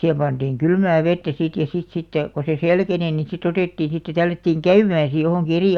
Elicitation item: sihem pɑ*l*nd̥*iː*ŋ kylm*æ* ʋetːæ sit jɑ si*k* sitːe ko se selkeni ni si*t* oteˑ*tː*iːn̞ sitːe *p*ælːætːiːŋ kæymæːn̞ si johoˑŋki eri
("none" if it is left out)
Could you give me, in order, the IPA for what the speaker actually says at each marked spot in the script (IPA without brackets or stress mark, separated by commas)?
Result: none, iː, æː, t, t, tː, t